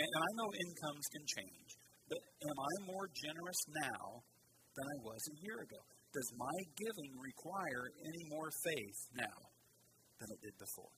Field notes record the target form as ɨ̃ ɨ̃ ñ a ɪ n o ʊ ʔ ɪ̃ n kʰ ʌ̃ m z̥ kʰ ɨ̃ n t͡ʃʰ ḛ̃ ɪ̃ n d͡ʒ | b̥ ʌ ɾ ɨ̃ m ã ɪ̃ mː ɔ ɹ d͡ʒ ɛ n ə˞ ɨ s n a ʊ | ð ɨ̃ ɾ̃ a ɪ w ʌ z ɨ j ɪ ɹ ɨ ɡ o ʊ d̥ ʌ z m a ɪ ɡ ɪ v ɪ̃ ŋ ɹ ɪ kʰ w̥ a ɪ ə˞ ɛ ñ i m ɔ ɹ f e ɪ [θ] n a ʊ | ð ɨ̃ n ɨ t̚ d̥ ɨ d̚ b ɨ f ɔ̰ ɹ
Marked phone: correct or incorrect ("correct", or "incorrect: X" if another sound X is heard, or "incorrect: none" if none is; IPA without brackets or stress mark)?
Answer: correct